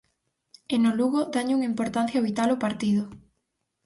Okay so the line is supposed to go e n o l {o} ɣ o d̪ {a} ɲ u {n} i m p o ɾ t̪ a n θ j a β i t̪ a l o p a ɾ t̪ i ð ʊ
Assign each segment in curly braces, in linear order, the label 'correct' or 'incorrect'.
incorrect: u, correct, incorrect: ŋ

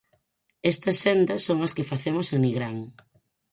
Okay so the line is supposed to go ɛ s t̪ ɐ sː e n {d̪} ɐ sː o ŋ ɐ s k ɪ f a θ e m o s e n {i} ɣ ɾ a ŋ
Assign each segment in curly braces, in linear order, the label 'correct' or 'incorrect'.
correct, correct

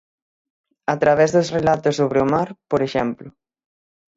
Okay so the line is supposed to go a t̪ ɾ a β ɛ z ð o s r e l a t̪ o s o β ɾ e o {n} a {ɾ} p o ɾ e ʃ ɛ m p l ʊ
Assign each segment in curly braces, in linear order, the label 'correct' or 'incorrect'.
incorrect: m, correct

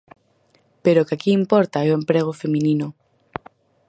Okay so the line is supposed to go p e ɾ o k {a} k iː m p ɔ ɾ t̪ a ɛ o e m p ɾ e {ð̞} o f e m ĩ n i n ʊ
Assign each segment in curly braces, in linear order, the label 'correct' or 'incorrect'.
correct, incorrect: ɣ̞

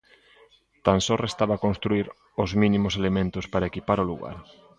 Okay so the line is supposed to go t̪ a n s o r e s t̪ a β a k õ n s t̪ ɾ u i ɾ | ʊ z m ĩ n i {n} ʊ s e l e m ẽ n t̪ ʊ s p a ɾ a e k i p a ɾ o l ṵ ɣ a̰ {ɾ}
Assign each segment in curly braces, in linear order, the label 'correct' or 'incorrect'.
incorrect: m, correct

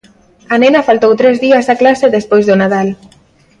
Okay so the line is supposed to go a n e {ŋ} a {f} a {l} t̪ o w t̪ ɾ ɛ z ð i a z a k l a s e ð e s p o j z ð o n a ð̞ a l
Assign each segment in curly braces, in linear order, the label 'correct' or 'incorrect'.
incorrect: n, correct, correct

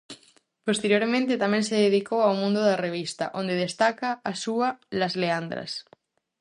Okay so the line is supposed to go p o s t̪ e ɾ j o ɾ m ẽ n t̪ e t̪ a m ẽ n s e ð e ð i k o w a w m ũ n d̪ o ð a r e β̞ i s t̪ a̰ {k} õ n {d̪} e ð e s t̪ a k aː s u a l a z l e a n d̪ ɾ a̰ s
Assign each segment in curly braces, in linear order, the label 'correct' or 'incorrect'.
incorrect: ʔ, correct

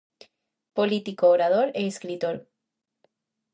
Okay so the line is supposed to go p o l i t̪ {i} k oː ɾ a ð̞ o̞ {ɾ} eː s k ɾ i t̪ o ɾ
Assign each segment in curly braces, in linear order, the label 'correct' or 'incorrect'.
correct, correct

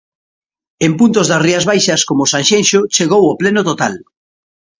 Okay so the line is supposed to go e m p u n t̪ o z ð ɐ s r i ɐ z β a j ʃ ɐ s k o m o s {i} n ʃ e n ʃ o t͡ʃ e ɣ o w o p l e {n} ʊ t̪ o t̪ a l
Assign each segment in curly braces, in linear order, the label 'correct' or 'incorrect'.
incorrect: a, correct

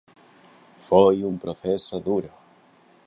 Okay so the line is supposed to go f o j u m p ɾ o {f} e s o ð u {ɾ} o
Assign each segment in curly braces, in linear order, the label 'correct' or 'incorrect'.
incorrect: θ, correct

